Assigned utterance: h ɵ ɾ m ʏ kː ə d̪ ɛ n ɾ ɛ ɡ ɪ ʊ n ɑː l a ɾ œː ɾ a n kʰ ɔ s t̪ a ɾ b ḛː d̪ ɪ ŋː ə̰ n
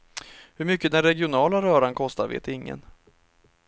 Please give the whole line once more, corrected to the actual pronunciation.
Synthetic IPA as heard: h ɵ ɾ m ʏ kː ə d̪ ɛ n ɾ ɛ ɡ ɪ ʊ n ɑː l a ɾ œː ɾ a n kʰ ɔ s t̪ a ɾ v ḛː t̪ ɪ ŋː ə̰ n

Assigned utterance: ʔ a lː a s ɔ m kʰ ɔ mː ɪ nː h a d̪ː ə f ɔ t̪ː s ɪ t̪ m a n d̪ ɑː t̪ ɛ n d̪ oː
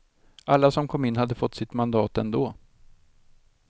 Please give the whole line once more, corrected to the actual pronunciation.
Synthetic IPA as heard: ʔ a lː a s ɔ m kʰ ɔ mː ɪ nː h a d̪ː ə f ɔ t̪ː s ɪ t̪ m a n d̪ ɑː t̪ ɛ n d̪ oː

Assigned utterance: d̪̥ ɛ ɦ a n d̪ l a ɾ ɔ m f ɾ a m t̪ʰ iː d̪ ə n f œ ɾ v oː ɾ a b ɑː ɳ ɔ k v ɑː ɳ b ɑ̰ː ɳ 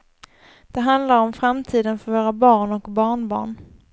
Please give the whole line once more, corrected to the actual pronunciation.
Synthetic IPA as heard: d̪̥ ɛ ɦ a n d̪ l a ɾ ɔ m f ɾ a m t̪ʰ iː d̪ ə n f œ ɾ v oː ɾ a b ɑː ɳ ɔ k b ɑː ɳ b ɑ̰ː ɳ

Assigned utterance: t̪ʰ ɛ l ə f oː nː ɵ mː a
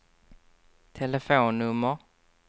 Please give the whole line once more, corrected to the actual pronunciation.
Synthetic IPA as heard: t̪ʰ ɛ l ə f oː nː ɵ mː ə

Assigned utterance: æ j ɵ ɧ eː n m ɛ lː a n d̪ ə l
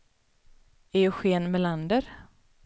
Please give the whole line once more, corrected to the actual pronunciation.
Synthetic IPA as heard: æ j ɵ ɧ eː n m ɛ l a n d̪ ə ɾ

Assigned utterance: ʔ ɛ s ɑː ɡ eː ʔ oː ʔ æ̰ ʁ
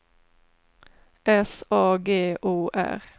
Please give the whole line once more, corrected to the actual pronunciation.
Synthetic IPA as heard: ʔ ɛ s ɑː ɡ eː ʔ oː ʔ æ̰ ʁ

